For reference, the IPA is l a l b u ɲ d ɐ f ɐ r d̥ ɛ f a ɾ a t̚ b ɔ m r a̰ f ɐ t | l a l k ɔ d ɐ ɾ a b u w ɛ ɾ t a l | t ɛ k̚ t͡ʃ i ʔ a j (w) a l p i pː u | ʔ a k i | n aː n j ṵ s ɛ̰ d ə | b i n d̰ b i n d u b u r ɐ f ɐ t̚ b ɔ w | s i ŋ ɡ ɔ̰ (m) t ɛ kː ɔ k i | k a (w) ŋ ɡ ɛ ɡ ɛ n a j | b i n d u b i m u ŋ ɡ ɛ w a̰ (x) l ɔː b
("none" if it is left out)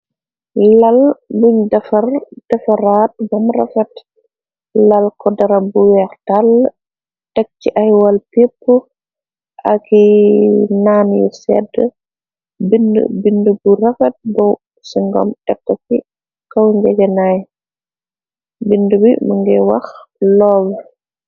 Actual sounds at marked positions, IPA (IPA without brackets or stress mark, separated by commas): w, m, w, x